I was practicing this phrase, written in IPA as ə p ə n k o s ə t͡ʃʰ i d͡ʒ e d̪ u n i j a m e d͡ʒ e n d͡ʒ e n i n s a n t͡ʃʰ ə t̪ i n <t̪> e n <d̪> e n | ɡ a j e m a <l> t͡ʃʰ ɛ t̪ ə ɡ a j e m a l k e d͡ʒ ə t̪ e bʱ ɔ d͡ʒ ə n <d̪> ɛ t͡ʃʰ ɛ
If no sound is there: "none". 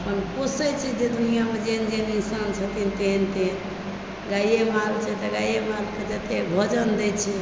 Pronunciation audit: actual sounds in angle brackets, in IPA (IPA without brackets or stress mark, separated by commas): t̪, t̪, l, d̪